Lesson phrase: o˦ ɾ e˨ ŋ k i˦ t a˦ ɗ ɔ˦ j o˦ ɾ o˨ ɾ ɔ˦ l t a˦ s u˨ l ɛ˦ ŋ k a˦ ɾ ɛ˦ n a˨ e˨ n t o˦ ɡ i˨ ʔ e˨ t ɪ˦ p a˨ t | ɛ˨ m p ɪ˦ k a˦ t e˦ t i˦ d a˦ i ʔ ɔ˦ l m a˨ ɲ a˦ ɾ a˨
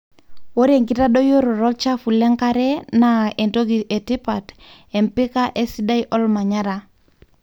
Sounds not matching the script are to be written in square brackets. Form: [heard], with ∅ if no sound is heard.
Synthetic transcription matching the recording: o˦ ɾ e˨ ŋ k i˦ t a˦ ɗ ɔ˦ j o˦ ɾ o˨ ɾ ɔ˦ l [t͡ʃ] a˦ [f] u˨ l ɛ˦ ŋ k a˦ ɾ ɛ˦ n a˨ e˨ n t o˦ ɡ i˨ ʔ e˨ t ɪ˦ p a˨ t | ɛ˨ m p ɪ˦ k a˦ [ʔ] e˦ [s] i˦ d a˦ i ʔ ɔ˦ l m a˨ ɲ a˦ ɾ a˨

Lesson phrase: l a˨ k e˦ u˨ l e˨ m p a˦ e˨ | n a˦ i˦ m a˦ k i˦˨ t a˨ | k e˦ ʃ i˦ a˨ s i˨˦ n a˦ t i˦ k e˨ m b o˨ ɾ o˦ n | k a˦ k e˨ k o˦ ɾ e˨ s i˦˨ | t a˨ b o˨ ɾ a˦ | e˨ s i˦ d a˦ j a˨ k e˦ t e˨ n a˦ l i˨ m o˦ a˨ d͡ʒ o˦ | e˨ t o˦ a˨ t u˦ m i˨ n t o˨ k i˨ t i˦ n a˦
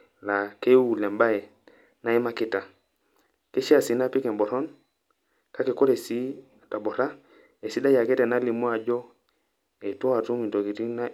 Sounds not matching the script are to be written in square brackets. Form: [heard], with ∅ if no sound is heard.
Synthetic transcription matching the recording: l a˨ k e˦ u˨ l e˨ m [b] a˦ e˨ | n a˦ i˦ m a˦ k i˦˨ t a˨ | k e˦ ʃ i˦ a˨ s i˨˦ n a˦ [p] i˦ k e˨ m b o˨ ɾ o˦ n | k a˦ k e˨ k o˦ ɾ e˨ s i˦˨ | t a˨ b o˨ ɾ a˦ | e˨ s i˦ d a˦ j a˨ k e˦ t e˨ n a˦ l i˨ m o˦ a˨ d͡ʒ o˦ | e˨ t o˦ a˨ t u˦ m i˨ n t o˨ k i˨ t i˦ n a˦

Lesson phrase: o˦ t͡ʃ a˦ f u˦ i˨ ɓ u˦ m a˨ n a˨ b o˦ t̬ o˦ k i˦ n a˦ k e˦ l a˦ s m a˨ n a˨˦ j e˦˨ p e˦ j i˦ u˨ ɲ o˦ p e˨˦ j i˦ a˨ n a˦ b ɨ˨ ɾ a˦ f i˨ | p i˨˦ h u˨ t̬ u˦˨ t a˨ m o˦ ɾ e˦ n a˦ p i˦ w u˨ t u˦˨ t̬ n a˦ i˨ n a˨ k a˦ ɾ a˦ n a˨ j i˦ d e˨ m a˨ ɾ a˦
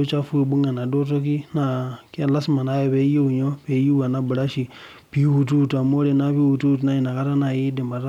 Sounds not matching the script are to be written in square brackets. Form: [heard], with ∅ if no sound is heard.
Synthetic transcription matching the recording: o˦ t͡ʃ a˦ f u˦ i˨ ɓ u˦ [ŋ] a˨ n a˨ [d] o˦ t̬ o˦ k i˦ n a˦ k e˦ l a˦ s m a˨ n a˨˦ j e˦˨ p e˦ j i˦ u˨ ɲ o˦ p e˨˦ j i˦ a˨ n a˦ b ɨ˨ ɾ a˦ [ʃ] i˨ | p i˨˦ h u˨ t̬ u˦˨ t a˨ m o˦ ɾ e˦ n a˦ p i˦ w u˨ t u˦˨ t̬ n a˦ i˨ n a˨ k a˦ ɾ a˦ n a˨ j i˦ d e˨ m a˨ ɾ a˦

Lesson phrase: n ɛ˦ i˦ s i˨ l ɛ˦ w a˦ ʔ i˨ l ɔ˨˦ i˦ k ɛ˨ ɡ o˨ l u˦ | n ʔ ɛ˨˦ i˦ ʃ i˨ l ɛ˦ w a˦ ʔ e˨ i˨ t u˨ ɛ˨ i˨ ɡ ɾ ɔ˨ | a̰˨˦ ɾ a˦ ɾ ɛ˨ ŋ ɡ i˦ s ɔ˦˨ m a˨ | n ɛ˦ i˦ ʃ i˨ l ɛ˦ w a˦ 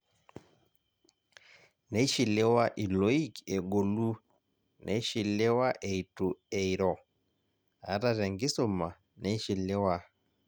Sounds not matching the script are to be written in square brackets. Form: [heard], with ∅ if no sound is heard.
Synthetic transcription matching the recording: n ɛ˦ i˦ [ʃ] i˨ l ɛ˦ w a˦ ʔ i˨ l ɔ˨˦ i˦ k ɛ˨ ɡ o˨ l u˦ | n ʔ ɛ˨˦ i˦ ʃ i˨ l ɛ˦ w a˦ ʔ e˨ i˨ t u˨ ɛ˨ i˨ [∅] ɾ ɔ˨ | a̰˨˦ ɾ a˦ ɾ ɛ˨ ŋ ɡ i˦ s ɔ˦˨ m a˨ | n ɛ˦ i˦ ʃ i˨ l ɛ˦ w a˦

